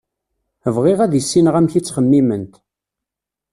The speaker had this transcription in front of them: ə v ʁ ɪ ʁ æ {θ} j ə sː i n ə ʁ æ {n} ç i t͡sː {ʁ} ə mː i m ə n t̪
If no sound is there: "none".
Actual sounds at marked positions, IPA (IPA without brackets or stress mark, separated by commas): ð, m, χ